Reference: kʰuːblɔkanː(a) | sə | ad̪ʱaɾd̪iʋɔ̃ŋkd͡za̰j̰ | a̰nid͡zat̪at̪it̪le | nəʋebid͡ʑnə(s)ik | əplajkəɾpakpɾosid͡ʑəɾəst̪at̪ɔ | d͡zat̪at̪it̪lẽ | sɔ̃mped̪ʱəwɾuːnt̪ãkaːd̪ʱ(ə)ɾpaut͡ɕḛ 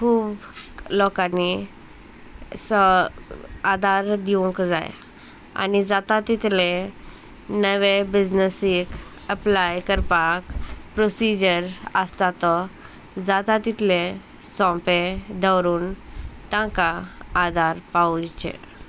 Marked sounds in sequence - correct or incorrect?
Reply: incorrect, correct, incorrect

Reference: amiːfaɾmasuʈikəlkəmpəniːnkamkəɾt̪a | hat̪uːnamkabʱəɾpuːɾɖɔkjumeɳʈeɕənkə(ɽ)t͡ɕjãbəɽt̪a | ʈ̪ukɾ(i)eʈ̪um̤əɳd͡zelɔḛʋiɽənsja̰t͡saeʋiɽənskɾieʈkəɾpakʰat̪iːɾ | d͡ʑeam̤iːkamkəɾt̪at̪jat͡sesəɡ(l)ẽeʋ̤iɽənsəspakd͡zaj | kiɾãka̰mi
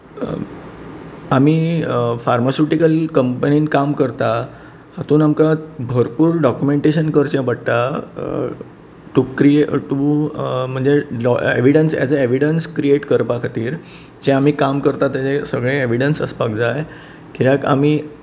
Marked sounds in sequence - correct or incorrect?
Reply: incorrect, correct, incorrect

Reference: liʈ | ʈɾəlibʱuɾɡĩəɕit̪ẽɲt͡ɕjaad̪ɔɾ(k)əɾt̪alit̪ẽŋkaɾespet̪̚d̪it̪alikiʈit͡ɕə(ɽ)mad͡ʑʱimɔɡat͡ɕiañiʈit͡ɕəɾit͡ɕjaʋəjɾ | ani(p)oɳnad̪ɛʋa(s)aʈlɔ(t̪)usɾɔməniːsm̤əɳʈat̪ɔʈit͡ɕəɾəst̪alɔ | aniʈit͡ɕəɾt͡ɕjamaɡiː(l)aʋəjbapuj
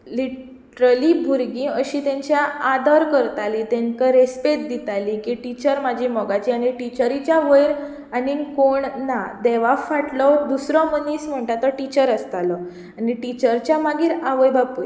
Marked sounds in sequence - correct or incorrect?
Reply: correct, incorrect, incorrect, incorrect, incorrect, incorrect

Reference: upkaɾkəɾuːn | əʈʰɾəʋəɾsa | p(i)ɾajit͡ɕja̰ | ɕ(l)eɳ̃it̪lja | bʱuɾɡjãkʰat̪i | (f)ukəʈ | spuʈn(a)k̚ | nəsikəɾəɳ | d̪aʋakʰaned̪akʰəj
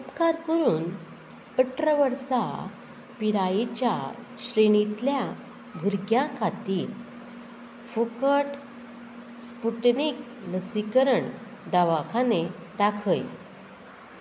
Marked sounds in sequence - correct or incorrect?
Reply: correct, incorrect, correct, incorrect

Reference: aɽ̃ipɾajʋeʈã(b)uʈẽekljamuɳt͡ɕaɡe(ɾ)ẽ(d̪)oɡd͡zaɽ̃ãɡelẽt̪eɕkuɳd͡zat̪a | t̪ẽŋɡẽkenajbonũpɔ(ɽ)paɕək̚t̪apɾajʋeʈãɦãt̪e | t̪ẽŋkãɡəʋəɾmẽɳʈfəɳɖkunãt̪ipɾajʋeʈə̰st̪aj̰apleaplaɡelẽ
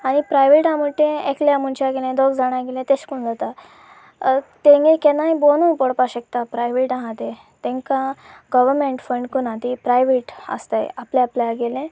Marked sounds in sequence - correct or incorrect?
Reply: incorrect, incorrect, correct, correct

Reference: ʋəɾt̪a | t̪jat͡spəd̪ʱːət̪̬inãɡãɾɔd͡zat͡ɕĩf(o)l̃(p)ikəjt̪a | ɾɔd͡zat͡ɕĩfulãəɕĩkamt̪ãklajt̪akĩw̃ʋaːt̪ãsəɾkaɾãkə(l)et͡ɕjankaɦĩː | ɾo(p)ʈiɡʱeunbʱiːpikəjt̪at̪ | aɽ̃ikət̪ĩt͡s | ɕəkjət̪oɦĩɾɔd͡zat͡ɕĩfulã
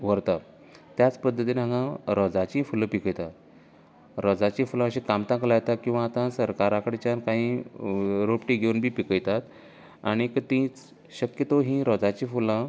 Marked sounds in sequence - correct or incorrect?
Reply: incorrect, correct, incorrect, correct

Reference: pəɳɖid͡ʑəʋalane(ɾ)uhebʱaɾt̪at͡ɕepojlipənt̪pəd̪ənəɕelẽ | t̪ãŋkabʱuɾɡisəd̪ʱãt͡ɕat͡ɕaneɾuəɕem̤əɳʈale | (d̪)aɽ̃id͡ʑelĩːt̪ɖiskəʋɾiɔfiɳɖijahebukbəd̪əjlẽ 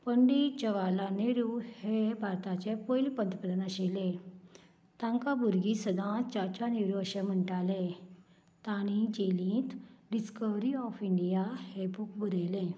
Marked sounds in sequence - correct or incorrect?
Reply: correct, incorrect

